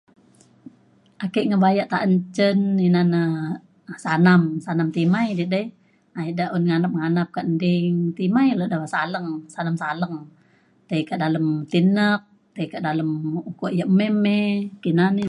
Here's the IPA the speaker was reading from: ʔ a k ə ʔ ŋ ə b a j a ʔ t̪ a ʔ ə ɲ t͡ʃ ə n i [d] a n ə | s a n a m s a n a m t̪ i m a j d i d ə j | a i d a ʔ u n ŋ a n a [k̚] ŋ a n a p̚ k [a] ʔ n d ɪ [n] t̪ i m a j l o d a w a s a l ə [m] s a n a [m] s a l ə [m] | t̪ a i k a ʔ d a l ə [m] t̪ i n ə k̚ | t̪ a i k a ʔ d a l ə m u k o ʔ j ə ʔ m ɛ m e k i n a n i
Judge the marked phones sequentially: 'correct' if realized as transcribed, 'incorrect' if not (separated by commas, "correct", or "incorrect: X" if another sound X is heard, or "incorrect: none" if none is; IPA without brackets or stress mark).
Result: incorrect: n, incorrect: p̚, correct, incorrect: ŋ, incorrect: ŋ, correct, incorrect: ŋ, correct